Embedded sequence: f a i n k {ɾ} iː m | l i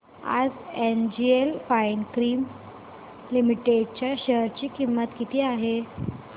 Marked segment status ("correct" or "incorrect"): correct